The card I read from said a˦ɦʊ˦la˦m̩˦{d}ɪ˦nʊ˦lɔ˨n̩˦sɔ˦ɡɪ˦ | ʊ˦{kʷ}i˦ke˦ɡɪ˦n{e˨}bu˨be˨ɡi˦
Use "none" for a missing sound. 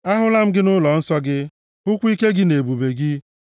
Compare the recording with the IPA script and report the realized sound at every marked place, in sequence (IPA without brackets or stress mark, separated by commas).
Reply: ɡ, kʷ, e˨